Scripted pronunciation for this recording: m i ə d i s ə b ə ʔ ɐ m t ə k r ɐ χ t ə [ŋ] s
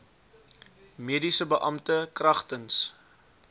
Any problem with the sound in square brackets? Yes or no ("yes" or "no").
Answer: yes